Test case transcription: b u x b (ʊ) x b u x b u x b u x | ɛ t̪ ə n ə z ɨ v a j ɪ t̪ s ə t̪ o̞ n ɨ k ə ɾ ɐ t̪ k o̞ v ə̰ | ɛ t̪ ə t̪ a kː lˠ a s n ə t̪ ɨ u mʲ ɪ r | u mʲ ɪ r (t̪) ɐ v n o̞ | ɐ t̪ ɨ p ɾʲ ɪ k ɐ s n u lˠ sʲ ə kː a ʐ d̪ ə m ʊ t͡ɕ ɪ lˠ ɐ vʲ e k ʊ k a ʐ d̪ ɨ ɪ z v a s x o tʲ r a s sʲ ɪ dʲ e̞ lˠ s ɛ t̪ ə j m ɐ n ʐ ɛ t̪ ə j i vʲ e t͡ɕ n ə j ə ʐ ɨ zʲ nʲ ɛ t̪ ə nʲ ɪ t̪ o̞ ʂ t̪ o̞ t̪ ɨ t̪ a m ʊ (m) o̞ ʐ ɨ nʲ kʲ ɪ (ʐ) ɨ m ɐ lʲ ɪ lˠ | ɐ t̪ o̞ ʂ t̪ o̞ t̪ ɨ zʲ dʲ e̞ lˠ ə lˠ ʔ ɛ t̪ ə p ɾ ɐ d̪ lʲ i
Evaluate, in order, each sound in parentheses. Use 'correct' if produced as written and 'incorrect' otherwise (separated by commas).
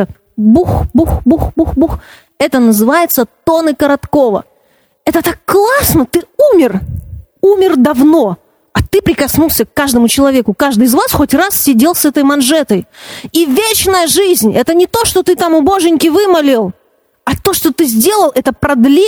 incorrect, incorrect, incorrect, incorrect